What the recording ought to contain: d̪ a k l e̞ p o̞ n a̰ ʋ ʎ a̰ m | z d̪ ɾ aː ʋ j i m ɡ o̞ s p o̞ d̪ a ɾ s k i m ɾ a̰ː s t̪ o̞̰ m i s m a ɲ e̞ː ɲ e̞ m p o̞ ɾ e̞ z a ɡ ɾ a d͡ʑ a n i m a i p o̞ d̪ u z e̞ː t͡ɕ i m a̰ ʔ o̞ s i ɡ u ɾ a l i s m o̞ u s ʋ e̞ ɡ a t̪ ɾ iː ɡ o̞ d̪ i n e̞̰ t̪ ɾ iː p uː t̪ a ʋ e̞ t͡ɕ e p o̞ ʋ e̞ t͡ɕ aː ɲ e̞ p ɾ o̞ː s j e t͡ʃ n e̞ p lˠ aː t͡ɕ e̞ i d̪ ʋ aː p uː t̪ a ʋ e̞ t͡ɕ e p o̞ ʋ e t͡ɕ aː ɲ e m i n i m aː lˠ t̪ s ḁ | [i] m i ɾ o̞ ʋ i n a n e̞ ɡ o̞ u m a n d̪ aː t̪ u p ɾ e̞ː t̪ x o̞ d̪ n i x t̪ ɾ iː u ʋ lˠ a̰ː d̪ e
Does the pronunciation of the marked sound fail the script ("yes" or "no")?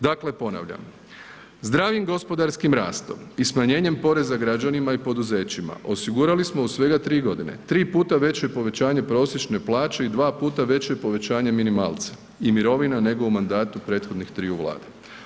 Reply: no